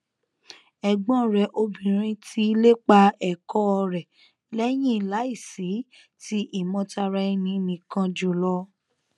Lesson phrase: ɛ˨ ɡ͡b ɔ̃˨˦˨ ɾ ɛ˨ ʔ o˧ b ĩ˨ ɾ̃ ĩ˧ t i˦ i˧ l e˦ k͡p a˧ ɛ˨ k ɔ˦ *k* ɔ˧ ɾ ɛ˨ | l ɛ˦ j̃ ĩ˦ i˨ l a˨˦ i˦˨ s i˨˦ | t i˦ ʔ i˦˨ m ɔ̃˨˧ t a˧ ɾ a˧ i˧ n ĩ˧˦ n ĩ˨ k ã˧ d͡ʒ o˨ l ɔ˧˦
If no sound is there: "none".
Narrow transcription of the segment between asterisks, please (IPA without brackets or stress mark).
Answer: none